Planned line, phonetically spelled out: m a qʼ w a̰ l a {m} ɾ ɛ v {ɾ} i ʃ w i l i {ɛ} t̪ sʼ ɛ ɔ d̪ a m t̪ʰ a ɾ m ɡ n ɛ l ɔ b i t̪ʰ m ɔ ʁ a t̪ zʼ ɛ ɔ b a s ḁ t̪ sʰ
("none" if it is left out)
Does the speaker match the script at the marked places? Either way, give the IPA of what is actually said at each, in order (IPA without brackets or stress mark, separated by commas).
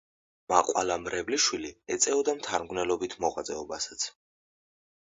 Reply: m, l, ɛ